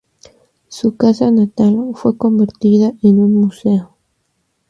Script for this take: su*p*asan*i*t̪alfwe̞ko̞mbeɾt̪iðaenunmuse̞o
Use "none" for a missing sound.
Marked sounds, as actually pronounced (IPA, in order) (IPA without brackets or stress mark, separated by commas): k, a